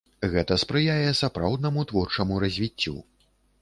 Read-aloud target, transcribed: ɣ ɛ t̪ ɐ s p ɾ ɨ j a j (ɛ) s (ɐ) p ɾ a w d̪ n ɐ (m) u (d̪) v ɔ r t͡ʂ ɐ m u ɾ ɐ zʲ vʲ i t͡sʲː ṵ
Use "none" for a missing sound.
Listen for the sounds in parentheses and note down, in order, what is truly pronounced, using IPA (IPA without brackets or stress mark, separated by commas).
ɛ, a, m, t̪